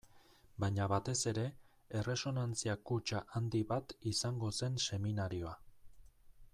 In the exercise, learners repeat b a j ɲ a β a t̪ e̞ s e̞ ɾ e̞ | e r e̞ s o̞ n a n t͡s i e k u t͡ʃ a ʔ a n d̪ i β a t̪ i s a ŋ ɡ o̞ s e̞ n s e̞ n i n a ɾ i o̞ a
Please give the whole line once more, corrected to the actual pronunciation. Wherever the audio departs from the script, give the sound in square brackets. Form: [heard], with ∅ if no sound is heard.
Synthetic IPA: b a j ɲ a β a t̪ e̞ s e̞ ɾ e̞ | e r e̞ s o̞ n a n t͡s i [a] k u t͡ʃ a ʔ a n d̪ i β a t̪ i s a ŋ ɡ o̞ s e̞ n s e̞ [m] i n a ɾ i o̞ a